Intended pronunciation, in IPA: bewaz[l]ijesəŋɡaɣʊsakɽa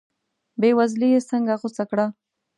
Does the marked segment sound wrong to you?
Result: no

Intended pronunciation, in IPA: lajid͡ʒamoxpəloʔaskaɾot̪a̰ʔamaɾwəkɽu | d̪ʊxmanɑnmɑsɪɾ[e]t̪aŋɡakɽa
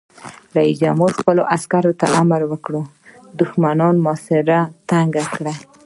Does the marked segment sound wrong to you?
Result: yes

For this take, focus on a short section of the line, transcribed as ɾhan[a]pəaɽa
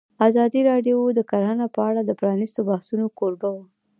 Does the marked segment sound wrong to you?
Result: no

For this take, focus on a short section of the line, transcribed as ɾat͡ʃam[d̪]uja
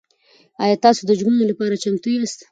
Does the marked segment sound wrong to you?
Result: yes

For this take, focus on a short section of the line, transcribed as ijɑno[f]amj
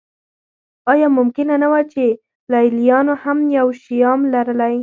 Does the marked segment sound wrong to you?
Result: yes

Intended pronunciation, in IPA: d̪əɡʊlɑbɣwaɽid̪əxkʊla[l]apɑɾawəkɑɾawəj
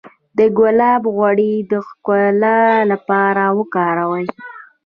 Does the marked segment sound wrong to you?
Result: no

